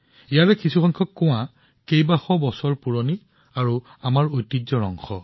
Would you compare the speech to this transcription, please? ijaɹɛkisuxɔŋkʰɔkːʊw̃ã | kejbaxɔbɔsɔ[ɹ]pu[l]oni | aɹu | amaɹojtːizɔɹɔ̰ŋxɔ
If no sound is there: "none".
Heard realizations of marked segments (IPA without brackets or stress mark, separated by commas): ɹ, ɹ